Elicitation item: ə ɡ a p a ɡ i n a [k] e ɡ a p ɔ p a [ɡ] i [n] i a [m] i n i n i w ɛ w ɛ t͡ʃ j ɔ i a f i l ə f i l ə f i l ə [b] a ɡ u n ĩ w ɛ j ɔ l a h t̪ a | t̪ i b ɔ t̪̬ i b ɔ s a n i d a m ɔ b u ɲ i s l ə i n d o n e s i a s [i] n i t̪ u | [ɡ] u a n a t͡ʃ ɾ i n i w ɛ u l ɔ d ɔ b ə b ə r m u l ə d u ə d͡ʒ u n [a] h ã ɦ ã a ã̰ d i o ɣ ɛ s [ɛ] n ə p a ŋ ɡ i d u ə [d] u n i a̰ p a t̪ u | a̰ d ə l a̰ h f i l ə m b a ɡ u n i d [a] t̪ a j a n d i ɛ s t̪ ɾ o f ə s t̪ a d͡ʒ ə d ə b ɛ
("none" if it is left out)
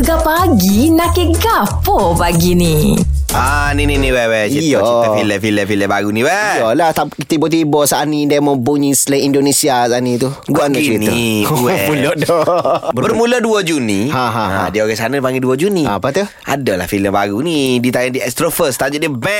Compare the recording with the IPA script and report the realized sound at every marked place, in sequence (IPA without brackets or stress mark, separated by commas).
k, ɡ, n, n, b, a, ɡ, i, a, d͡ʒ, i